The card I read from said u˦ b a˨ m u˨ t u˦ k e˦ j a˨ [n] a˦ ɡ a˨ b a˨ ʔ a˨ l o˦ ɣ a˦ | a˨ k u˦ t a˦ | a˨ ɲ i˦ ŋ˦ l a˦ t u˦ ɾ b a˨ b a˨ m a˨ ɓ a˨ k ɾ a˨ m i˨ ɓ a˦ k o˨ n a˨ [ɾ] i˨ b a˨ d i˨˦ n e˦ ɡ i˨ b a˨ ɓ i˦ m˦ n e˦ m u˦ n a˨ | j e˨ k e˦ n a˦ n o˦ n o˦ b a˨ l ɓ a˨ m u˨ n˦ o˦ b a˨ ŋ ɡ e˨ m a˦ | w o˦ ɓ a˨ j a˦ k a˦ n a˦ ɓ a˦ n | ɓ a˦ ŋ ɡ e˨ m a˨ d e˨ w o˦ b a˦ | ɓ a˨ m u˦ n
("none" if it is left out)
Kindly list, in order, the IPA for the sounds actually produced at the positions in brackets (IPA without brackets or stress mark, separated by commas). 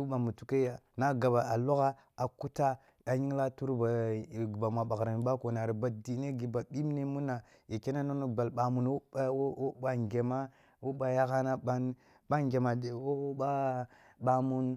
n, ɾ